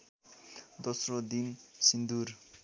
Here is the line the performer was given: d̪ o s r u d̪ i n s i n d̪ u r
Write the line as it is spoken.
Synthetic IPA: d̪ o s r o d̪ i n s i n d̪ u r